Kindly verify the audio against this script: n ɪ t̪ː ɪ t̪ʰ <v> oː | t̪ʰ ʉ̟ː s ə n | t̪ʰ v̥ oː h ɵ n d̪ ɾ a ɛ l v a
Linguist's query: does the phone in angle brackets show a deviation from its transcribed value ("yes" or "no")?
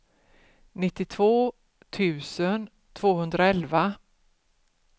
no